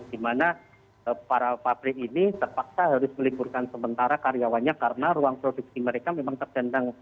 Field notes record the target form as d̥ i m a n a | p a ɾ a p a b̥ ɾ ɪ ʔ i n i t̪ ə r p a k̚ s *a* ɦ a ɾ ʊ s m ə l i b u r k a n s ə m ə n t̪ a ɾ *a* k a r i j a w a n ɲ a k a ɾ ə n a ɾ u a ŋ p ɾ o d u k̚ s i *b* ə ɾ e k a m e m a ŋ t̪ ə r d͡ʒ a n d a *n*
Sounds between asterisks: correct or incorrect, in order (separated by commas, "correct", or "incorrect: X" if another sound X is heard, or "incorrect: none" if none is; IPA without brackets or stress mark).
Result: correct, correct, incorrect: m, incorrect: ŋ